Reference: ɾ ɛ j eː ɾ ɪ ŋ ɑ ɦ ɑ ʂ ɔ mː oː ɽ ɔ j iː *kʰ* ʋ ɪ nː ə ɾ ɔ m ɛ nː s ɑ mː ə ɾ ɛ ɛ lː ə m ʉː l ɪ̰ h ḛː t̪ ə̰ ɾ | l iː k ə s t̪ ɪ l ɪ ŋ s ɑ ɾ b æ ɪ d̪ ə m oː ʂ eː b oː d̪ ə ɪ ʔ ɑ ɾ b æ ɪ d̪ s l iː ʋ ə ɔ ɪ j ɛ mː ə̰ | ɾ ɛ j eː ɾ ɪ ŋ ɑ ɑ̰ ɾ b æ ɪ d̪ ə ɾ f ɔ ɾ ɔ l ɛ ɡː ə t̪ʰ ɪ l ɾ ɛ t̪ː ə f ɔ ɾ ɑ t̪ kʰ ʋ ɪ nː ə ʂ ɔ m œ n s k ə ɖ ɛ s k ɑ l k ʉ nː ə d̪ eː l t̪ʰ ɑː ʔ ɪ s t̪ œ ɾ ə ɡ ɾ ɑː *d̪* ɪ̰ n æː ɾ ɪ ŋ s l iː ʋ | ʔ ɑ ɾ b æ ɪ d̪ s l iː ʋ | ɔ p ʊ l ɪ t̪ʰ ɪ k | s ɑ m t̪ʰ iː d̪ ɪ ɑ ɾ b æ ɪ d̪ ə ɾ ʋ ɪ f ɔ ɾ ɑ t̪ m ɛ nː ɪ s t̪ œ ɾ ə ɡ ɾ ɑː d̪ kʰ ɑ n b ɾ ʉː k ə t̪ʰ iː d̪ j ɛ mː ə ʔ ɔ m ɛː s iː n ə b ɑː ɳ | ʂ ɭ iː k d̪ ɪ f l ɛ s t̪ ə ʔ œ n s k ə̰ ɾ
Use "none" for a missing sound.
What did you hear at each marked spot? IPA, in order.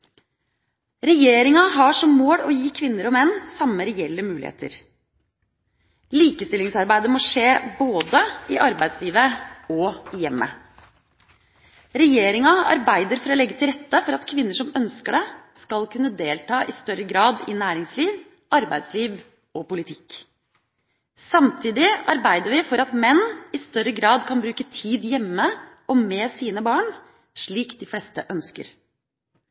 kʰ, d̪

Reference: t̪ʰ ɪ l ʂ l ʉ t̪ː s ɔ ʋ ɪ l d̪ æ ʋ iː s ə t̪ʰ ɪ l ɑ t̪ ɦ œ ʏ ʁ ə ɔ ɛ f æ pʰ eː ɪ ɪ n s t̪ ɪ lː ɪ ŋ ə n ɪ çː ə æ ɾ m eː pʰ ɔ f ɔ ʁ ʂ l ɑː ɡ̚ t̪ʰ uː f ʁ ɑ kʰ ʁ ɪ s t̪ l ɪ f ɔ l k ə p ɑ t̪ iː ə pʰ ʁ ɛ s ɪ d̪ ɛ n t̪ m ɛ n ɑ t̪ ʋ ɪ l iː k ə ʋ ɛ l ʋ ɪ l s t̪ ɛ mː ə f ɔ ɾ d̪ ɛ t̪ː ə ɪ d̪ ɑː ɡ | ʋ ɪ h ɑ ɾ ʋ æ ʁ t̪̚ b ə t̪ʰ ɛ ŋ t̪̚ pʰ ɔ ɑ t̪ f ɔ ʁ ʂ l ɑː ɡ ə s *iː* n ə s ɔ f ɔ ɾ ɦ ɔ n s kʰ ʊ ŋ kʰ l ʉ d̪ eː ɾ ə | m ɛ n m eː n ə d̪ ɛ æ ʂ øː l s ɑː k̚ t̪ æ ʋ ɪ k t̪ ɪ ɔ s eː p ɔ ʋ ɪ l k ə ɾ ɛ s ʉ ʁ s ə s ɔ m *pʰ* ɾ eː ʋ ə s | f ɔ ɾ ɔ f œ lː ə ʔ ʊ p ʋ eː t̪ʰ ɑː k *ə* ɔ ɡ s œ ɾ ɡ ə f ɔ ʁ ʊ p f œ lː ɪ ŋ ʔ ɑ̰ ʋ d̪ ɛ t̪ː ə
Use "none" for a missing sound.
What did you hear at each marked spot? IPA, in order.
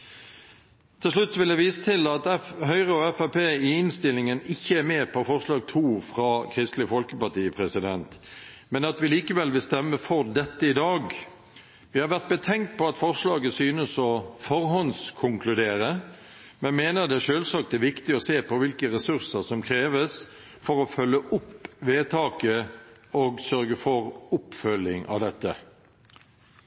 yː, kʰ, ə

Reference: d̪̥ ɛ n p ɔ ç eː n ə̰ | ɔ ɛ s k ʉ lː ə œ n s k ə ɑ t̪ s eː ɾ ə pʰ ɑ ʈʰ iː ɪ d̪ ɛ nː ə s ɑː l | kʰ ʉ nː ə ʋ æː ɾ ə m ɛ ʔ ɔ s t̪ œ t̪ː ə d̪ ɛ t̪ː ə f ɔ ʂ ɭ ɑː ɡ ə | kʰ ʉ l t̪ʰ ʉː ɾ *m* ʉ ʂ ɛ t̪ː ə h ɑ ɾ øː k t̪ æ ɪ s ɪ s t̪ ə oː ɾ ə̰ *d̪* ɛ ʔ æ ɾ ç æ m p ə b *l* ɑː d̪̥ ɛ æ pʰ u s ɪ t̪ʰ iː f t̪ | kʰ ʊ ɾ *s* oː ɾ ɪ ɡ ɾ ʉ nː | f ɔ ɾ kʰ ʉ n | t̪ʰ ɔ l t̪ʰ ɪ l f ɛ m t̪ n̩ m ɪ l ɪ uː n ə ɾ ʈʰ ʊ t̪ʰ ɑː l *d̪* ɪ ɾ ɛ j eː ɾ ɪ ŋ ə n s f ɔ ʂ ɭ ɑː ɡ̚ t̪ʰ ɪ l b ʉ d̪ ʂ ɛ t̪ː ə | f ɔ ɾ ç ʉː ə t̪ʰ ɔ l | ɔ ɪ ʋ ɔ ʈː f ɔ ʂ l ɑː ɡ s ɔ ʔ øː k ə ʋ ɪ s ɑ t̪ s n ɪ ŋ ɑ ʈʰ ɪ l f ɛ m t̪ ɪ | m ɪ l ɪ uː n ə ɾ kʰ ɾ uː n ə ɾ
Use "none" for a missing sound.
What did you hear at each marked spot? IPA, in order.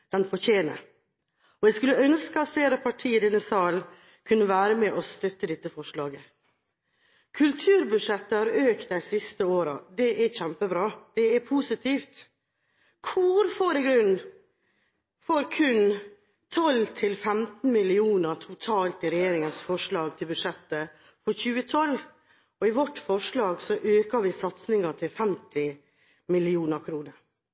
b, d̪, ɾ, f, t̪

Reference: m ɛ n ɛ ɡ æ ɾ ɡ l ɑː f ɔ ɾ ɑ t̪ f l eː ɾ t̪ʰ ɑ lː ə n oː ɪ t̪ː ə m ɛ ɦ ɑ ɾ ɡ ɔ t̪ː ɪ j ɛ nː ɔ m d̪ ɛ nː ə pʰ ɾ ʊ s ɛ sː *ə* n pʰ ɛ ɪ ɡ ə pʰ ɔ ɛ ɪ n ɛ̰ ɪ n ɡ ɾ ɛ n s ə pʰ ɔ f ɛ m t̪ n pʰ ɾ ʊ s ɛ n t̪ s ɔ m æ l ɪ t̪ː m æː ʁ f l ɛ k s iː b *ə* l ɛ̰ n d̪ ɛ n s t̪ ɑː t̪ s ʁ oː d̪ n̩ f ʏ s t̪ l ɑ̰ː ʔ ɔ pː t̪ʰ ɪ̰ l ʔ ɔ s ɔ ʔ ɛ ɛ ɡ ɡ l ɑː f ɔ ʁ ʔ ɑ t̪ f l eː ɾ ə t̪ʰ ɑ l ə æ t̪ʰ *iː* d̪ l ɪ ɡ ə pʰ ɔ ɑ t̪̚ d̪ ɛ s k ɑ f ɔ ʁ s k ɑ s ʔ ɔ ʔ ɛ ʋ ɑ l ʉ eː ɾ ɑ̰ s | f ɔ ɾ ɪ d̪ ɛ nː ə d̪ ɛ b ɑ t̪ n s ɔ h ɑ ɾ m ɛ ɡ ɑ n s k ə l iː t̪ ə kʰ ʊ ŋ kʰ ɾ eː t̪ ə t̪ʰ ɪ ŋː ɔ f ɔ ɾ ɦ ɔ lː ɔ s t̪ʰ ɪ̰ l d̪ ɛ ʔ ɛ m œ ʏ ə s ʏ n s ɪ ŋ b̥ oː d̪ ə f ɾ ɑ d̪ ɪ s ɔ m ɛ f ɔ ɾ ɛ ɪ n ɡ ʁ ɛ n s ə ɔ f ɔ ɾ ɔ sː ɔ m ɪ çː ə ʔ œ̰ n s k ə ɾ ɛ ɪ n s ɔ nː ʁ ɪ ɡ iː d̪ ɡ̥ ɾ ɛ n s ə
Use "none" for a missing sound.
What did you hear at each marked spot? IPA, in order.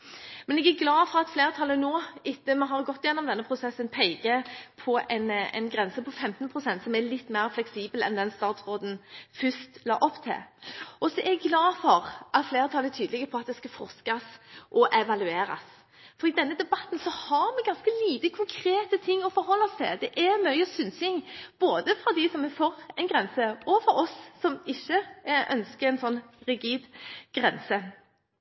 ə, ə, yː

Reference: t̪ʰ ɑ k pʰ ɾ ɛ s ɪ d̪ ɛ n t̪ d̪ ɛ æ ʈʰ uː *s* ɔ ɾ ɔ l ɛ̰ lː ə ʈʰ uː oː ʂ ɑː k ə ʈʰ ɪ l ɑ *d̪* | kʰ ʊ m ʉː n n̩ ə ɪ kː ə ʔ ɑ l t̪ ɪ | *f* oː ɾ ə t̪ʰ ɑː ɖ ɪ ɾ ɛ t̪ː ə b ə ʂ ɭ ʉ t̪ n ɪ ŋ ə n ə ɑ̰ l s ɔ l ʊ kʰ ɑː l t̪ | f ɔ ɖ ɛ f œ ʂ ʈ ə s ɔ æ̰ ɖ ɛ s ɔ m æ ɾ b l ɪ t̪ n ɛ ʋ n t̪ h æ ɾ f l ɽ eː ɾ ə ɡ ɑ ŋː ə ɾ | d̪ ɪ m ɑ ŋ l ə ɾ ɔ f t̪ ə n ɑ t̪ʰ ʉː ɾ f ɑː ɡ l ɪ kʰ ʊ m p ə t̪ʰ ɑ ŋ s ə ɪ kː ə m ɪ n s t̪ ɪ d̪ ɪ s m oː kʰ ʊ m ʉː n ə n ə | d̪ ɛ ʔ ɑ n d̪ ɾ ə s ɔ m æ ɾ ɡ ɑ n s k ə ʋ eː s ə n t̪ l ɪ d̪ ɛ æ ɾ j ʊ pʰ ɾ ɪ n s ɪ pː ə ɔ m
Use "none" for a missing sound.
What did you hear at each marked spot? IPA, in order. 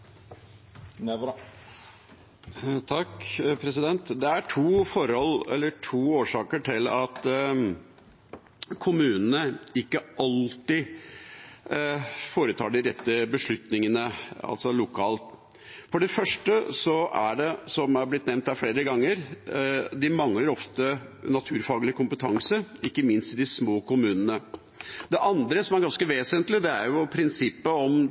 f, t̪, f

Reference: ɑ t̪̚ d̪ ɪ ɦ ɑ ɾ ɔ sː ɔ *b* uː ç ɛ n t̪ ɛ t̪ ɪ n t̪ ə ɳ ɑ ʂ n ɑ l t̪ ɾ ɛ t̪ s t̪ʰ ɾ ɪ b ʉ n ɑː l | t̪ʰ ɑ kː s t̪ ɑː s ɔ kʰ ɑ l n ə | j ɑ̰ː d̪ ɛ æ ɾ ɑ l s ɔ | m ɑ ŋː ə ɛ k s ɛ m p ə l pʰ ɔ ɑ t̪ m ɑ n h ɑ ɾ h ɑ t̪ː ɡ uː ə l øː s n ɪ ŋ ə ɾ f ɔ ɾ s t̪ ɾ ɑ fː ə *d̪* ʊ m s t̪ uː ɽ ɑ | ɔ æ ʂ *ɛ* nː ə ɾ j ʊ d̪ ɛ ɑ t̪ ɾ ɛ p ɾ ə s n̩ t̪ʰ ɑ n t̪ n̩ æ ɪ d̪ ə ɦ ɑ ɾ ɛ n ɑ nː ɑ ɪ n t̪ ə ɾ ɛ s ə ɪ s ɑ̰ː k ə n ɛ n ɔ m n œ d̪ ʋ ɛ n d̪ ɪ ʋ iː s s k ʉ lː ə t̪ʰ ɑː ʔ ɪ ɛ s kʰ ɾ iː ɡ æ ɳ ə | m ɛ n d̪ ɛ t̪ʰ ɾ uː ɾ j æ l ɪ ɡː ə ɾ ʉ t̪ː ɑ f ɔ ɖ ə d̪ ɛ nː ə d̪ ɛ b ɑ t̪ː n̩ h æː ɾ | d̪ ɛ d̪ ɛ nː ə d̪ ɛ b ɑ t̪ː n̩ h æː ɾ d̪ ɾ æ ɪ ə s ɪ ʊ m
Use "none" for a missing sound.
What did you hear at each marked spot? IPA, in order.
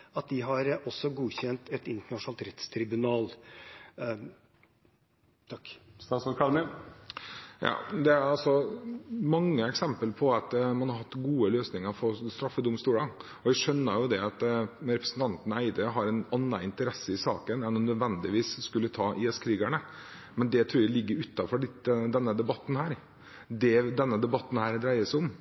ɡ, d̪, œ

